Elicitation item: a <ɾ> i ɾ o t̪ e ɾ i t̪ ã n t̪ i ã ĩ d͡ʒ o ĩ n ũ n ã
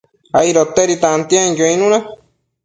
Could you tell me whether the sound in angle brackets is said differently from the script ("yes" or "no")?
yes